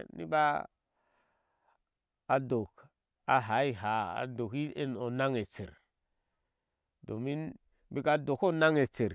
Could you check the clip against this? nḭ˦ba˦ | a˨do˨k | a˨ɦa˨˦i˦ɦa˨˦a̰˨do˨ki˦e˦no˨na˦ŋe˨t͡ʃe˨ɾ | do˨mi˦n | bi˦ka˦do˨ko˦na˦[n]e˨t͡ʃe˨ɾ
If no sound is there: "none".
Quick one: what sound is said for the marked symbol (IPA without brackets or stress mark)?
ŋ